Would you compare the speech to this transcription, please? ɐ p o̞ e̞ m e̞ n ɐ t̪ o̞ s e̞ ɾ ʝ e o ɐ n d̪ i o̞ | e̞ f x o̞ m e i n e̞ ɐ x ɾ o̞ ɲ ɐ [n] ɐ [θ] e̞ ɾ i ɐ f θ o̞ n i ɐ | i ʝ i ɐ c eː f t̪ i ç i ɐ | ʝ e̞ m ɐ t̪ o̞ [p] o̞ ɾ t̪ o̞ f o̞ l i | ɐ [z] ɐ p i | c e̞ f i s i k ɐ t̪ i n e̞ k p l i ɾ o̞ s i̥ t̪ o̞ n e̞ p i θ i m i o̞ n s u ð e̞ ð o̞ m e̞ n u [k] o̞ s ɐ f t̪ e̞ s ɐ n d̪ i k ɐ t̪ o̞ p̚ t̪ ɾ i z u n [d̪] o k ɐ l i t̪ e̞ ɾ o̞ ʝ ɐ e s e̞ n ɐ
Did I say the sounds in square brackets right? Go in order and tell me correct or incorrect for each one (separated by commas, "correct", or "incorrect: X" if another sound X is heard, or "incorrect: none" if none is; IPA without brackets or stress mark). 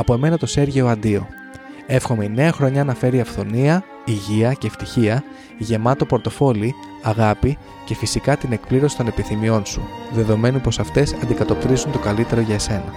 correct, incorrect: f, correct, incorrect: ɣ, incorrect: p, incorrect: t̪